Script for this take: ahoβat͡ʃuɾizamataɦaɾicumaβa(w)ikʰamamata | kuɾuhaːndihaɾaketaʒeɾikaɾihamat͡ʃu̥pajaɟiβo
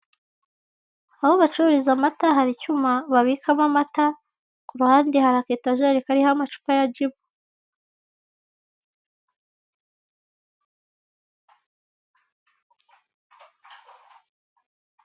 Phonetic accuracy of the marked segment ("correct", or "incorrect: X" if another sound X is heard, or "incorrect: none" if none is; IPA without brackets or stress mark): incorrect: β